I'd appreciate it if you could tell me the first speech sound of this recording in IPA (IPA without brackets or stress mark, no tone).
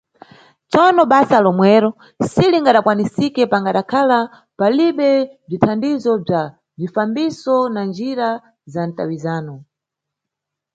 t͡s